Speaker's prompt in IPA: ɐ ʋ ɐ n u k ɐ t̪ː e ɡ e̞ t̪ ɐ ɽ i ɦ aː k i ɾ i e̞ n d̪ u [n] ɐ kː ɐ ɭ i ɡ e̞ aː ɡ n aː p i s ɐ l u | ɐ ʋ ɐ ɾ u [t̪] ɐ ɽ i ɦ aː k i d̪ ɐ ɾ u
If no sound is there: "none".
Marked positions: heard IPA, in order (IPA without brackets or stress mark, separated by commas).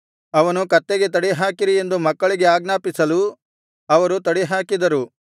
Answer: m, t̪